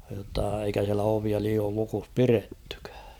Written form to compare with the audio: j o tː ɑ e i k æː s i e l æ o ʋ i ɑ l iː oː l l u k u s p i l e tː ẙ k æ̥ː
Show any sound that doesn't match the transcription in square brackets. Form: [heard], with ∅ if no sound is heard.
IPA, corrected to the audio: j o tː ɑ e i k [æ] s i [æ] l æ o ʋ i ɑ l iː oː l l u k u s p i [r] e tː ẙ k æ̥ː

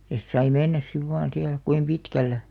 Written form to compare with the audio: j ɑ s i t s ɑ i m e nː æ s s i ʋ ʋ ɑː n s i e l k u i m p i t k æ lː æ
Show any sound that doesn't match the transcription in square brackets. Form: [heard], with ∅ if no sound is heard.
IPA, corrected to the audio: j ɑ s i t s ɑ i m e nː æ s s i ʋ ʋ ɑː n s i [æ] l k u i m p i t k æ lː æ

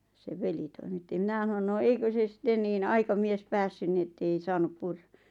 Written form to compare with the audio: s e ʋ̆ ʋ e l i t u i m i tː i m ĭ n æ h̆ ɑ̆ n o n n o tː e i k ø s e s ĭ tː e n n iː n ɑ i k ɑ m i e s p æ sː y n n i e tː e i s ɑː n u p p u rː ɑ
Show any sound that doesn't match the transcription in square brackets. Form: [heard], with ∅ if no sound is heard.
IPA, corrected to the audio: s e ʋ̆ ʋ e l i t [o] i m i tː i m ĭ n æ h̆ ɑ̆ n o n n o [∅] e i k ø s e s ĭ tː e n n iː n ɑ i k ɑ m i e s p æ sː y n n i e tː e i s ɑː n u p p u rː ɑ

